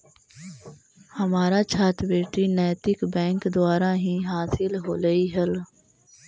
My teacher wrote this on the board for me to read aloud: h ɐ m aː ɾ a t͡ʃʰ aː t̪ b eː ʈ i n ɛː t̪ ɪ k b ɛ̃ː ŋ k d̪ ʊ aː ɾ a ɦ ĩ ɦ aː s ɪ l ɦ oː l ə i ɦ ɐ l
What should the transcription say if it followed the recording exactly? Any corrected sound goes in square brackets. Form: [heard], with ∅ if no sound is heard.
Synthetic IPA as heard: h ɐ m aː ɾ a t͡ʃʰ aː t̪ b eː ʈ i n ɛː t̪ ɪ k b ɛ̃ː ŋ k d̪ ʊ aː ɾ a ɦ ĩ ɦ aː s ɪ l ɦ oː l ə i ɦ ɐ l